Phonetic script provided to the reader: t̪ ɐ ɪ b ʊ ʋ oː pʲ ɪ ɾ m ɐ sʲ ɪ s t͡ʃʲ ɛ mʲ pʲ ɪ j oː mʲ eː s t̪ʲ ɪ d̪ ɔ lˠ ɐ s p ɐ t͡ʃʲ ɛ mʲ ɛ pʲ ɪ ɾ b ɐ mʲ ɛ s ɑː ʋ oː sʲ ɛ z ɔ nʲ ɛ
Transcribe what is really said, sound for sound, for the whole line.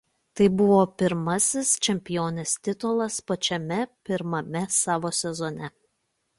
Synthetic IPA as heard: t̪ ɐ ɪ b ʊ ʋ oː pʲ ɪ ɾ m ɐ sʲ ɪ s t͡ʃʲ ɛ mʲ pʲ ɪ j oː nʲ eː s t̪ʲ ɪ t̪ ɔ lˠ ɐ s p ɐ t͡ʃʲ ɛ mʲ ɛ pʲ ɪ ɾ m ɐ mʲ ɛ s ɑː ʋ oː sʲ ɛ z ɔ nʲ ɛ